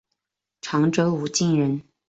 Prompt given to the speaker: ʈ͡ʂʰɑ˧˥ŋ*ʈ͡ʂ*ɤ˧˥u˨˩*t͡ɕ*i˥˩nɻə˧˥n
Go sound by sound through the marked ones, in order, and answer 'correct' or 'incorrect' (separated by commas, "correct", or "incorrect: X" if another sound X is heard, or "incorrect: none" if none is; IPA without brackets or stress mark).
correct, correct